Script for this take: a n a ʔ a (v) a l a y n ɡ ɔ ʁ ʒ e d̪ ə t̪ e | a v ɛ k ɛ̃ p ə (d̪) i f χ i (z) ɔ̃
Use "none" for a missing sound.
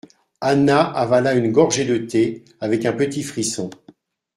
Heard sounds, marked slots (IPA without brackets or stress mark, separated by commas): v, t̪, s